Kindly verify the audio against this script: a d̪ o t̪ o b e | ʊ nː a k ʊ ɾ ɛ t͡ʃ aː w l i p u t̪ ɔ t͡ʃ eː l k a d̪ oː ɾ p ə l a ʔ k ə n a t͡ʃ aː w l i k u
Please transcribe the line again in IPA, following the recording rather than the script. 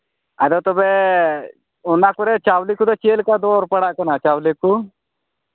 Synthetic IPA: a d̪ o t̪ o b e | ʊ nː a k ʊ ɾ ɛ t͡ʃ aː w l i k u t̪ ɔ t͡ʃ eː l k a d̪ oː ɾ p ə ɽ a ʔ k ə n a t͡ʃ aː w l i k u